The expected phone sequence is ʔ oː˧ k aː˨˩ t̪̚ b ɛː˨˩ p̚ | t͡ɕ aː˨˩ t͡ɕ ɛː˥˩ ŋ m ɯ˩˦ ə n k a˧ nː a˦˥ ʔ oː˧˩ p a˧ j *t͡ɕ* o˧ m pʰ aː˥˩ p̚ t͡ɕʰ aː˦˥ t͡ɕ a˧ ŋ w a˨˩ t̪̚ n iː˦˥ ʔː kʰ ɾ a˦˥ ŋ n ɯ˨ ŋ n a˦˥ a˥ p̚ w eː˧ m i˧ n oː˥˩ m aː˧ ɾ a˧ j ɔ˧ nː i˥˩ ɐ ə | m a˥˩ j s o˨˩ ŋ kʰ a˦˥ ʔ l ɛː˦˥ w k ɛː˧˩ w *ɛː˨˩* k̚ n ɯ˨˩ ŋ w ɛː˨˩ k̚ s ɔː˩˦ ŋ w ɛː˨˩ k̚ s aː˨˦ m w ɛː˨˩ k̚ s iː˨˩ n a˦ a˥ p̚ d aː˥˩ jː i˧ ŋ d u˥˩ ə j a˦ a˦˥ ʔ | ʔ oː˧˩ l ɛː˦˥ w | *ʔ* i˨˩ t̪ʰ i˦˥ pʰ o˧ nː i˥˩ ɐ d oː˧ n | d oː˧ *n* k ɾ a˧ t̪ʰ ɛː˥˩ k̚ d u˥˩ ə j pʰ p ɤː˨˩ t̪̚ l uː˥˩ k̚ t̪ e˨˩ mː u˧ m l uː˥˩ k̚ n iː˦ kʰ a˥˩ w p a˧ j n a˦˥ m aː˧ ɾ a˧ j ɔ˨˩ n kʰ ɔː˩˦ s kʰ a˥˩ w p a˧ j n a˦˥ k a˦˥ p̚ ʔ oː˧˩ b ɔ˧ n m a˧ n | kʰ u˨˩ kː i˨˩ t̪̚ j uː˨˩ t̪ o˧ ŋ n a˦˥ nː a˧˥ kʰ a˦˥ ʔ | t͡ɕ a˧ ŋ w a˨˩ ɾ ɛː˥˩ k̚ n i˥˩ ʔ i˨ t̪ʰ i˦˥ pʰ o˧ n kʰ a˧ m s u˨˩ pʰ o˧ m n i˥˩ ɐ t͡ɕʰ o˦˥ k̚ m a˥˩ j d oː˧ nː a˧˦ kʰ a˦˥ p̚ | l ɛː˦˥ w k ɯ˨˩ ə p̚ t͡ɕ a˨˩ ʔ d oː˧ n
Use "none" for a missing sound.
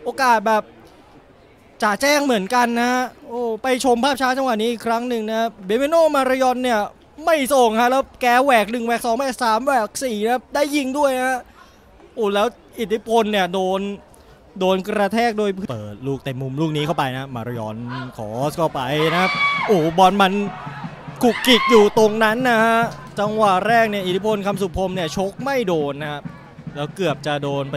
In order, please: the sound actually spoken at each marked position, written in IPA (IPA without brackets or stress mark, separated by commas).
t͡ɕʰ, ɛː˨˩, ʔ, n